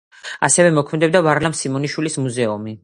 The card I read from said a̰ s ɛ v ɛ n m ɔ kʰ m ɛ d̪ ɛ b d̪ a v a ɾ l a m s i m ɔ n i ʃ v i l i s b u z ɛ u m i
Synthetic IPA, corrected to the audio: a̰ s ɛ v ɛ m ɔ kʰ m ɛ d̪ ɛ b d̪ a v a ɾ l a m s i m ɔ n i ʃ w i l i s m u z ɛ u m i

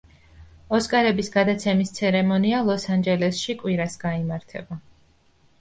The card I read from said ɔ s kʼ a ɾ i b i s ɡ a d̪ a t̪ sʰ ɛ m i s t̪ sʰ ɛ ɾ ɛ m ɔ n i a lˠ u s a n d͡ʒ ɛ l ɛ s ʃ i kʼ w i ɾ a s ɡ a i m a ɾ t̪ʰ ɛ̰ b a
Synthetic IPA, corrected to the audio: ɔ s kʼ a ɾ ɛ b i s ɡ a d̪ a t̪ sʰ ɛ m i s t̪ sʰ ɛ ɾ ɛ m ɔ n i a lˠ ɔ s a n d͡ʒ ɛ l ɛ s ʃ i kʼ w i ɾ a s ɡ a i m a ɾ t̪ʰ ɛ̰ b a

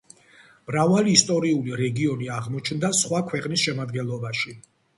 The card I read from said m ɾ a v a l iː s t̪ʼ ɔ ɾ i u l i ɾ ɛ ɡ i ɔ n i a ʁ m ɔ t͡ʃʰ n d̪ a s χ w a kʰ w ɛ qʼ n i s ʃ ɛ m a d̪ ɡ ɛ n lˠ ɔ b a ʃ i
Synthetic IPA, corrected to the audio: m ɾ a v a l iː s t̪ʼ ɔ ɾ i u l i ɾ ɛ ɡ i ɔ n i a ʁ m ɔ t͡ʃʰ n d̪ a s χ w a kʰ w ɛ qʼ n i s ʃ ɛ m a d̪ ɡ ɛ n lˠ ɔ b a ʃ i

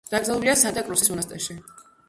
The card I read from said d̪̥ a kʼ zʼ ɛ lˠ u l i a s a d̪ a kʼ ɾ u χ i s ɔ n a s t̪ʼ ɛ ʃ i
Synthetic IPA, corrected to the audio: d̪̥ a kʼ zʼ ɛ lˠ u l i a s a d̪ a kʼ ɾ u s i s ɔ n a s t̪ʼ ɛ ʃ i

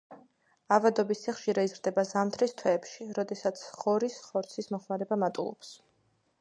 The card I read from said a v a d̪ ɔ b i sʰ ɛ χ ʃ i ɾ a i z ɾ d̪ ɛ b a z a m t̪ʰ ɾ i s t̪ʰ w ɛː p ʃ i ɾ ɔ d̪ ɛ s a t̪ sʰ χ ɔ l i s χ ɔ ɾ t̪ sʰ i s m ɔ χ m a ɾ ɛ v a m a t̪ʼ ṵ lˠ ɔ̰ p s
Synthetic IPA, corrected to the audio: a v a d̪ ɔ b i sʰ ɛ χ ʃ i ɾ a i z ɾ d̪ ɛ b a z a m t̪ʰ ɾ i s t̪ʰ w ɛː p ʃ i ɾ ɔ d̪ ɛ s a t̪ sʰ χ ɔ ɾ i s χ ɔ ɾ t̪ sʰ i s m ɔ χ m a ɾ ɛ b a m a t̪ʼ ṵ lˠ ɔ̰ p s

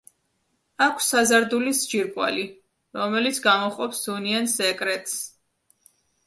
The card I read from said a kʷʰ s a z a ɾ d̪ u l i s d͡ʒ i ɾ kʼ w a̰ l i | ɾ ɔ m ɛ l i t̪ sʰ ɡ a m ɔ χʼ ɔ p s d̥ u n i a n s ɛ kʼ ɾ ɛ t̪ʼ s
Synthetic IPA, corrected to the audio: a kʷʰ s a z a ɾ d̪ u l i s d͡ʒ i ɾ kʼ w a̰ l i | ɾ ɔ m ɛ l i t̪ sʰ ɡ a m ɔ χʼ ɔ p s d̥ u n i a n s ɛ kʼ ɾ ɛ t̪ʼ s

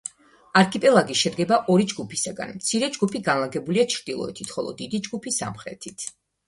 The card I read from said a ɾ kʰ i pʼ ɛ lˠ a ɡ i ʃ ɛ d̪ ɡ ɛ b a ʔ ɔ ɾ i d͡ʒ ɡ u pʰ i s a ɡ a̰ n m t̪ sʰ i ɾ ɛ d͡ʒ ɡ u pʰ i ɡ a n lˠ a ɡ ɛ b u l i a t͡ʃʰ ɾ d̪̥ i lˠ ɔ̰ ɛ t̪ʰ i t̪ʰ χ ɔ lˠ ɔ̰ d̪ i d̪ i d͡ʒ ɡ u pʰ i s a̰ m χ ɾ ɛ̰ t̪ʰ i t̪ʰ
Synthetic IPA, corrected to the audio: a ɾ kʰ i pʼ ɛ lˠ a ɡ i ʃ ɛ d̪ ɡ ɛ b a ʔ ɔ ɾ i d͡ʒ ɡ u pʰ i s a ɡ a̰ n m t̪ sʰ i ɾ ɛ d͡ʒ ɡ u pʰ i ɡ a n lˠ a ɡ ɛ b u l i a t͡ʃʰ ɾ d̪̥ i lˠ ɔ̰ ɛ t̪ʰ i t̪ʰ χ ɔ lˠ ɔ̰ d̪ i d̪ i d͡ʒ ɡ u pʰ i s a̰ m χ ɾ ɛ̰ t̪ʰ i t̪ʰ

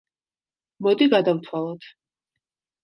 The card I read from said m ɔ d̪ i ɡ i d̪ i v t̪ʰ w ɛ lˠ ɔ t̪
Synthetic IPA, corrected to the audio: m ɔ d̪ i ɡ a d̪ a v t̪ʰ w a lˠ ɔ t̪

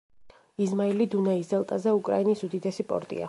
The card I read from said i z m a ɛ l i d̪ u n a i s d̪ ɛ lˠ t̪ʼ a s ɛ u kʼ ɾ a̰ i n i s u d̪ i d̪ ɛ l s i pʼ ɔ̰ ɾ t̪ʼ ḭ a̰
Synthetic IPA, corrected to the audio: i z m a i l i d̪ u n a i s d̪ ɛ lˠ t̪ʼ a z ɛ u kʼ ɾ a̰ i n i s u d̪ i d̪ ɛ s i pʼ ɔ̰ ɾ t̪ʼ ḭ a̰

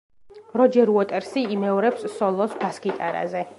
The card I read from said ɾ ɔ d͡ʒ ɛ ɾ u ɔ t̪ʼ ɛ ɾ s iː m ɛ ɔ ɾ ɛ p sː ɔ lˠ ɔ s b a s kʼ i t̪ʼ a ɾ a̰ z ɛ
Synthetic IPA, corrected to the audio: ɾ ɔ d͡ʒ ɛ ɾ u ɔ t̪ʼ ɛ ɾ s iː m ɛ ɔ ɾ ɛ p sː ɔ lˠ ɔ s b a s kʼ i t̪ʼ a ɾ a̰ z ɛ

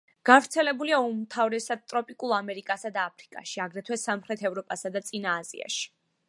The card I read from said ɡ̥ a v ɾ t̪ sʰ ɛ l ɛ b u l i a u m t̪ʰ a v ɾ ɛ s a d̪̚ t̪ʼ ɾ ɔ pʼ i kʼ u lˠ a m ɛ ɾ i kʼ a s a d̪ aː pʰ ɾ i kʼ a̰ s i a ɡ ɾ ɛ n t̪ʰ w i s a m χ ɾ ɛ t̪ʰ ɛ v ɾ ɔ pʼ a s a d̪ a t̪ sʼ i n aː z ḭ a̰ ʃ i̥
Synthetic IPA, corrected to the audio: ɡ̥ a v ɾ t̪ sʰ ɛ l ɛ b u l i a u m t̪ʰ a v ɾ ɛ s a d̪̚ t̪ʼ ɾ ɔ pʼ i kʼ u lˠ a m ɛ ɾ i kʼ a s a d̪ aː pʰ ɾ i kʼ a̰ ʃ i a ɡ ɾ ɛ t̪ʰ w ɛ s a m χ ɾ ɛ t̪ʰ ɛ v ɾ ɔ pʼ a s a d̪ a t̪ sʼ i n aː z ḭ a̰ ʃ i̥

